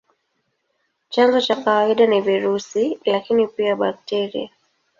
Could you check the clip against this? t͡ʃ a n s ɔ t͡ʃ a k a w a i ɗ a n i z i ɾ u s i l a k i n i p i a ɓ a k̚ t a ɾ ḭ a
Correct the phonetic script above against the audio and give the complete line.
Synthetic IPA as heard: t͡ʃ a n z ɔ t͡ʃ a k a w a i ɗ a n i v i ɾ u s i l a k i n i p i a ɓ a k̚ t ɛ ɾ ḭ a